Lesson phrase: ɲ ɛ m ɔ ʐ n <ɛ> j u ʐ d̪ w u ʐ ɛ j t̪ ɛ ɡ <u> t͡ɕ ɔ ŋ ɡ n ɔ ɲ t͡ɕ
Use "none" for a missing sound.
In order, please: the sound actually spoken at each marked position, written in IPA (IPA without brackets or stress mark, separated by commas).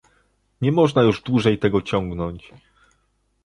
a, ɔ